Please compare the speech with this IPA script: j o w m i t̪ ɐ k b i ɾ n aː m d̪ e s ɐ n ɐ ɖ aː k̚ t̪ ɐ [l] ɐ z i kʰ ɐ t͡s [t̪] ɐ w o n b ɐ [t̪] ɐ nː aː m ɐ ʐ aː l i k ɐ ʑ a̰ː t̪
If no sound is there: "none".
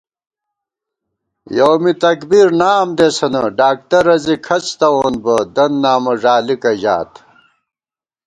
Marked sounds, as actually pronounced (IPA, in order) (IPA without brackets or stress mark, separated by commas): ɾ, t̪, d̪